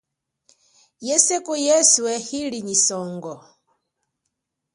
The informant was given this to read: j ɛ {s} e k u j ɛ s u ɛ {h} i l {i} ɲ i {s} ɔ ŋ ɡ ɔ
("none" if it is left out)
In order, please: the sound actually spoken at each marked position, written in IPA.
s, h, i, s

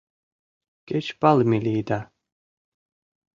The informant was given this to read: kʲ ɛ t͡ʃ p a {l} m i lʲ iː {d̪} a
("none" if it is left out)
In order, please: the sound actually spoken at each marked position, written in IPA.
l, d̪

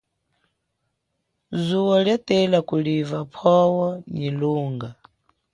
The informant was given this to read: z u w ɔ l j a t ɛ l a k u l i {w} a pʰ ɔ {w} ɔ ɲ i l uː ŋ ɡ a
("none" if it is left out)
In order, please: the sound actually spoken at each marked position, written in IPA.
v, w

